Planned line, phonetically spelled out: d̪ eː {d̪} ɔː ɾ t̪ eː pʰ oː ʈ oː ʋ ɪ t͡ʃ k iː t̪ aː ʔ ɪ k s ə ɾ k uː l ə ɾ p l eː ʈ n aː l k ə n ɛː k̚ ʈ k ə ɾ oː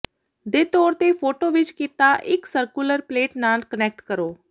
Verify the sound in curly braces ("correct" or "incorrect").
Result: incorrect